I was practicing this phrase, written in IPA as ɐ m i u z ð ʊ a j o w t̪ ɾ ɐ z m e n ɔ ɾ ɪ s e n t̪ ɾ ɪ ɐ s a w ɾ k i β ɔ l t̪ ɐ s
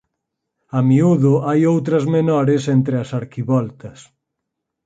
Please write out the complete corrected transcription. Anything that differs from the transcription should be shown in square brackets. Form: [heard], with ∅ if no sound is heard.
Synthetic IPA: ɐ m i u [∅] ð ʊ a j o w t̪ ɾ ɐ z m e n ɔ ɾ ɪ s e n t̪ ɾ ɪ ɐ s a [∅] ɾ k i β ɔ l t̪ ɐ s